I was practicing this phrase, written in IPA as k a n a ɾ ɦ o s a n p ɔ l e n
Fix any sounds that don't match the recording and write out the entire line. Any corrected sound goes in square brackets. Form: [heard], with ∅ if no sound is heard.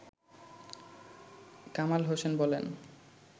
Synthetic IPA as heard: k a [m] a [l] ɦ o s [e] n [b] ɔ l e n